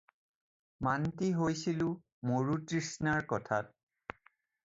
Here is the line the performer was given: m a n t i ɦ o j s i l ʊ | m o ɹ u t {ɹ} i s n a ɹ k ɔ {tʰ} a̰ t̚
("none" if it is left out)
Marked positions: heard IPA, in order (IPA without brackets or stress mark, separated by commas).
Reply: ɹ, tʰ